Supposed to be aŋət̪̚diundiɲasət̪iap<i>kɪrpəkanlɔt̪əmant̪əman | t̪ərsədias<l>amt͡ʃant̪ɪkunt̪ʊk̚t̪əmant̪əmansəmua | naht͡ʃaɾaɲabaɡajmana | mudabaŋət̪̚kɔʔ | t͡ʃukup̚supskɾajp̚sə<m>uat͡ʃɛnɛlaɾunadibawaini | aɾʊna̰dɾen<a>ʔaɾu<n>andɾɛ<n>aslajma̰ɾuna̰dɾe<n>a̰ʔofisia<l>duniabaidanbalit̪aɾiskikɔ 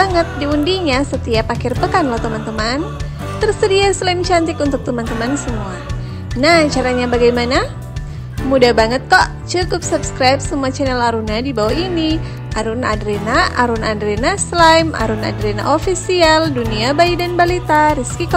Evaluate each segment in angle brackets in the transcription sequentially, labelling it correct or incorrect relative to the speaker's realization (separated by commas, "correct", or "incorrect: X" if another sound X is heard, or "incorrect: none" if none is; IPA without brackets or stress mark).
incorrect: a, correct, correct, correct, correct, correct, correct, correct